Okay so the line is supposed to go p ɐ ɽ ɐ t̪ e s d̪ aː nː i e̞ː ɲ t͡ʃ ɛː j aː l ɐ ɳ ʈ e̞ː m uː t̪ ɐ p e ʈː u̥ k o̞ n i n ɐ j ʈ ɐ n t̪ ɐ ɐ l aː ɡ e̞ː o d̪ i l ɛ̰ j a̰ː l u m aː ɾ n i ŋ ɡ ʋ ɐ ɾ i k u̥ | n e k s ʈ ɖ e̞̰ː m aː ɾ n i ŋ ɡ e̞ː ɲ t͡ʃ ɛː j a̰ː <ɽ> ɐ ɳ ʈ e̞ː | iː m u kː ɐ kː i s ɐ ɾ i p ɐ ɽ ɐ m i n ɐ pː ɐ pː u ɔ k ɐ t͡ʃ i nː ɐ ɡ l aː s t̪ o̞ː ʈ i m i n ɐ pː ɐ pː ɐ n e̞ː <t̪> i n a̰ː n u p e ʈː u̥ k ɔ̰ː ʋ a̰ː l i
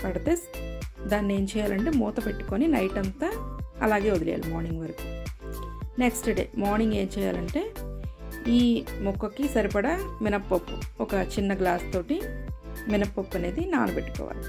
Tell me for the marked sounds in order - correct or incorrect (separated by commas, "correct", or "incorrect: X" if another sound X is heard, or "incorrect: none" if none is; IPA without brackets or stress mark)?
incorrect: l, incorrect: d̪